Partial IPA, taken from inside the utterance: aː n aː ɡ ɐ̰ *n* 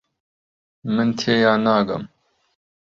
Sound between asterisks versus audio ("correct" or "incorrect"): incorrect